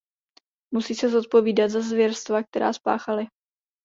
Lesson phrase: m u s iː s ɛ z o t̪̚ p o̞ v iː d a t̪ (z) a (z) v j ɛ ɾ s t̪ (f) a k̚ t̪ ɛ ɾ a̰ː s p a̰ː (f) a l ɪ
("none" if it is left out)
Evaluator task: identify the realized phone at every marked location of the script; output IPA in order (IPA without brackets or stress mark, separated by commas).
z, z, v, x